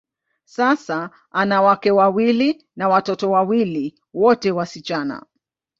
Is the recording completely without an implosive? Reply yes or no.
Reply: yes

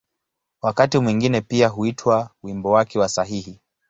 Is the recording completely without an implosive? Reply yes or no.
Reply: yes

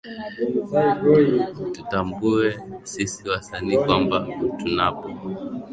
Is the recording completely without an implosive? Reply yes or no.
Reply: yes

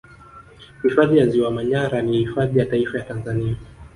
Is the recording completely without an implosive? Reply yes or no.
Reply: yes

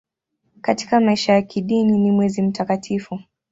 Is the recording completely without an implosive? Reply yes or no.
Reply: no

